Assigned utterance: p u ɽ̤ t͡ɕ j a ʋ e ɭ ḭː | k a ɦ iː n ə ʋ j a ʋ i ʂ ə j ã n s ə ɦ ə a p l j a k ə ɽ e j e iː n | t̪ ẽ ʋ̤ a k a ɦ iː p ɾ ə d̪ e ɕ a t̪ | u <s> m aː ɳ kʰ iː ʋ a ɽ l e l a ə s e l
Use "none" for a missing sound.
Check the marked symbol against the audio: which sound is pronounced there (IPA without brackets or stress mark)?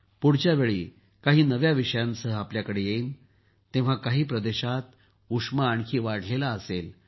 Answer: ʂ